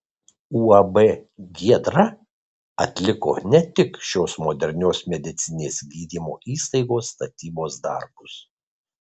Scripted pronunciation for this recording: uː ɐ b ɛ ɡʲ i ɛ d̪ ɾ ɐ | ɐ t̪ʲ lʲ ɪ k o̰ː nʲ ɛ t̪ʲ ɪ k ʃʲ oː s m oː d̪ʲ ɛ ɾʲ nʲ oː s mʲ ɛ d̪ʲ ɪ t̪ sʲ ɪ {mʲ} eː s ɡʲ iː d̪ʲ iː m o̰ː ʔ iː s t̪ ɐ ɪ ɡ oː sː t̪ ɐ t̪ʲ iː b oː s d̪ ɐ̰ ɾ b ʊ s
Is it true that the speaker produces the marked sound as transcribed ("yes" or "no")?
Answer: no